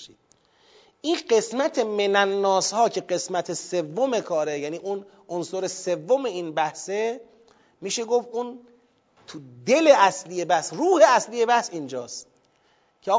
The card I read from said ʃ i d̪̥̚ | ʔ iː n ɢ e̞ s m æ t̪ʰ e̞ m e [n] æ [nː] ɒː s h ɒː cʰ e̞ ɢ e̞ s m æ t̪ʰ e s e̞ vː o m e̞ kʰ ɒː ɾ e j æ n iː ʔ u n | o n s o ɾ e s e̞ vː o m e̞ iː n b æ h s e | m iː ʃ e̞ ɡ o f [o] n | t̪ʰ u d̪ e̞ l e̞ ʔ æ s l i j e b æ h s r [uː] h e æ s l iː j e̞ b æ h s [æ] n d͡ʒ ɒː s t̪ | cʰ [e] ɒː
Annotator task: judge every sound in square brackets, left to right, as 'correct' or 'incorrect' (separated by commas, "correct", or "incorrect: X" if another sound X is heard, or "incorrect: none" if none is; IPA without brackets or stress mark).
correct, correct, incorrect: u, correct, incorrect: i, correct